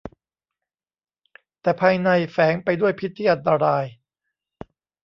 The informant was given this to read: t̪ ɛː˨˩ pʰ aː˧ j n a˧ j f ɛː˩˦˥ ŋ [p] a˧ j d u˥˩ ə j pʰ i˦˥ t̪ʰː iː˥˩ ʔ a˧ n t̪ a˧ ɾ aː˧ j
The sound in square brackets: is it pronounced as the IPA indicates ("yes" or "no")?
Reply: yes